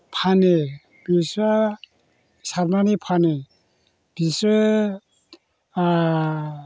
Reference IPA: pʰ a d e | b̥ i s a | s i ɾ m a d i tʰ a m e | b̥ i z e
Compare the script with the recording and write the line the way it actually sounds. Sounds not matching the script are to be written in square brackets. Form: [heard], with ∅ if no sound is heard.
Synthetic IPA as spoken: pʰ a [n] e | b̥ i s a | s [a] ɾ m a [n] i [pʰ] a [n] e | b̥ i [s] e